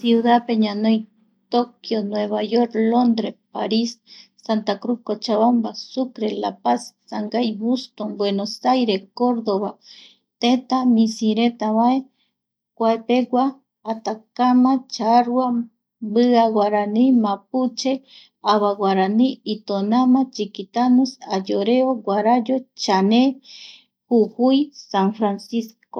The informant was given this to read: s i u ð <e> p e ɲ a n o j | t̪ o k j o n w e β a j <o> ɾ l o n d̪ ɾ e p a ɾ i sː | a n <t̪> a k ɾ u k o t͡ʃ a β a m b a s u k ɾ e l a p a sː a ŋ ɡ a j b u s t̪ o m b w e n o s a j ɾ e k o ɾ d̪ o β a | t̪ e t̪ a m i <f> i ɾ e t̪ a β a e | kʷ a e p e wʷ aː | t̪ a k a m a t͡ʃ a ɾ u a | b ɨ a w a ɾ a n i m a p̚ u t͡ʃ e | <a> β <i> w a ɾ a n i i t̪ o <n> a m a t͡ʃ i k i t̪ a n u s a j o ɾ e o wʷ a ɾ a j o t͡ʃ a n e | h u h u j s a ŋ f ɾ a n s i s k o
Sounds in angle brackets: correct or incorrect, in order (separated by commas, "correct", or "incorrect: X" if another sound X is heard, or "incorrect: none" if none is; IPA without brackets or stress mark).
incorrect: a, correct, correct, incorrect: s, correct, incorrect: a, correct